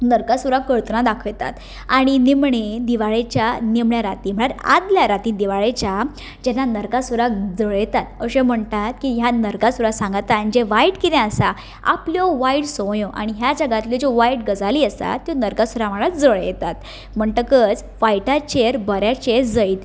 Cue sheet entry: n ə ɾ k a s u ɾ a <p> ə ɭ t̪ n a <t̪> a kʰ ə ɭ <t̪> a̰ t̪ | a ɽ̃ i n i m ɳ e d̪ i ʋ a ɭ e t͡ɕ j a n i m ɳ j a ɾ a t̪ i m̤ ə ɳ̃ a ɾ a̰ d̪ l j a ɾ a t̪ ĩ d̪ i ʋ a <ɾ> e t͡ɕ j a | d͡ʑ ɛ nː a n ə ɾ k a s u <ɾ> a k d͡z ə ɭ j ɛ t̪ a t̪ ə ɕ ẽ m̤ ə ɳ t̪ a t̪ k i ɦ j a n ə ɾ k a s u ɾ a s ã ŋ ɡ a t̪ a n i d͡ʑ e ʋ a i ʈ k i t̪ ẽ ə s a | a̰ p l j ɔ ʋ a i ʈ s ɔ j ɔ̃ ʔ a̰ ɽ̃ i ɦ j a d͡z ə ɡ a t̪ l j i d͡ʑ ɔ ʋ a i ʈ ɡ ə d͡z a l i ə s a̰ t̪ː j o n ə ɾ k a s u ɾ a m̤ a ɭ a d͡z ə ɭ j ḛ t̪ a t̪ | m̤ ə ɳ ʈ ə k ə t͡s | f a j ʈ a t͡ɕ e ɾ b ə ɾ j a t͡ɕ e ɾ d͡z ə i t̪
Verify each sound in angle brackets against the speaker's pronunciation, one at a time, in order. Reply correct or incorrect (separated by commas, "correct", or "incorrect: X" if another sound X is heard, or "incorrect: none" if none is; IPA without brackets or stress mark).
incorrect: k, incorrect: d̪, correct, incorrect: ɭ, correct